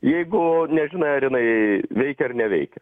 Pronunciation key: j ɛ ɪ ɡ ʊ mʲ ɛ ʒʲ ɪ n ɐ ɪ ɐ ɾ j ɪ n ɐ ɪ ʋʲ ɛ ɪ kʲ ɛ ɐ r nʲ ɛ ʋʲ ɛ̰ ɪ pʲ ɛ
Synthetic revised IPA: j ɛ ɪ ɡ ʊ nʲ ɛ ʒʲ ɪ n ɐ ɪ ɐ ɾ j ɪ n ɐ ɪ ʋʲ ɛ ɪ kʲ ɛ ɐ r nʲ ɛ ʋʲ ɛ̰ ɪ kʲ ɛ